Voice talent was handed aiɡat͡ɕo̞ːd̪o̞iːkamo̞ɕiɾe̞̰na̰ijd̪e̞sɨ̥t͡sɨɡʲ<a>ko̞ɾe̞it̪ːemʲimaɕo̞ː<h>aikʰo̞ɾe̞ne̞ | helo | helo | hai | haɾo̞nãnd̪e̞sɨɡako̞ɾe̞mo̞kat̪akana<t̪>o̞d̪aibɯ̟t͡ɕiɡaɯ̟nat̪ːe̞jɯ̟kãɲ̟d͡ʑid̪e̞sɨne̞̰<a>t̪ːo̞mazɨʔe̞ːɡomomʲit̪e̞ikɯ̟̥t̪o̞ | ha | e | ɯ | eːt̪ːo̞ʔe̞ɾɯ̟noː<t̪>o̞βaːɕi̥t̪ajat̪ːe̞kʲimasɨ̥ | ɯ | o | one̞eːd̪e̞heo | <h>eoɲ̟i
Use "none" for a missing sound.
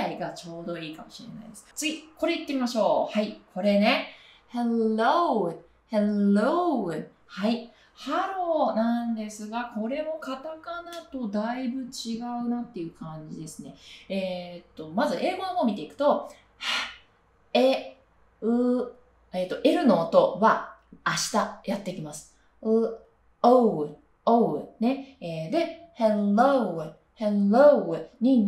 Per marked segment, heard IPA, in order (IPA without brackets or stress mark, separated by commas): i, h, t̪, e, t̪, h